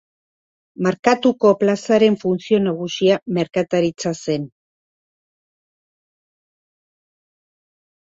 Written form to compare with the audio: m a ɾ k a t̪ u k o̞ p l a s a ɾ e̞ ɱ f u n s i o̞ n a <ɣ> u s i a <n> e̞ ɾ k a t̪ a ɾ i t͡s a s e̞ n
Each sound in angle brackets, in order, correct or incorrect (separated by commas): correct, incorrect